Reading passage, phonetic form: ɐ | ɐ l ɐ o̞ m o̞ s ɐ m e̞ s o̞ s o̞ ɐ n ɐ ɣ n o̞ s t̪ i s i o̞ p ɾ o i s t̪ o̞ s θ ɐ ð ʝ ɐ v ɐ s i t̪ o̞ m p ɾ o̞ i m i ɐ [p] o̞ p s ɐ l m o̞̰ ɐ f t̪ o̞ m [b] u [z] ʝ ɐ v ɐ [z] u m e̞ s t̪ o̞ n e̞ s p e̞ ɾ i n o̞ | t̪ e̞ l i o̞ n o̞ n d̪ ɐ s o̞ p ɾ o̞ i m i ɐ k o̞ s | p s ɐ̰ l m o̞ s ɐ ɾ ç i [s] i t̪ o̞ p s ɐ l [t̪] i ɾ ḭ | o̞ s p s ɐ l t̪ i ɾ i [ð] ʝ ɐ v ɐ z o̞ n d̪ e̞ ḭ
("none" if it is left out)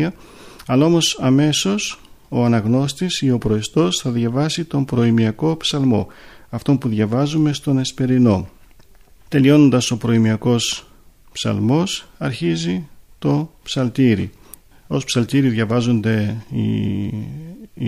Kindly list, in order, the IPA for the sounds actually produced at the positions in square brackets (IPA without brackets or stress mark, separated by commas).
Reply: k, p, ð, z, z, t̪, ð